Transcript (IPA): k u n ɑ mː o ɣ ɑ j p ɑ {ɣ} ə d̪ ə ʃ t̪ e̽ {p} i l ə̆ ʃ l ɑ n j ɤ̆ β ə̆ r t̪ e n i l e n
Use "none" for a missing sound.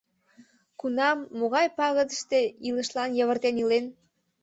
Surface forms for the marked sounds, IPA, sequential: ɣ, none

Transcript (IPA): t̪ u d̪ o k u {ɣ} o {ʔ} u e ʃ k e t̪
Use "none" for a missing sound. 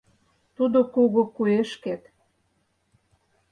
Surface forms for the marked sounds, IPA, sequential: ɣ, k

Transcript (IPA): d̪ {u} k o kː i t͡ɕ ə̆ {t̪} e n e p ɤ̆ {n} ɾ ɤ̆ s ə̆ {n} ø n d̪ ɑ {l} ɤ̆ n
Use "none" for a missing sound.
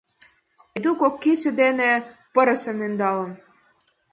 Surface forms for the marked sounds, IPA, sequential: u, d̪, none, m, l

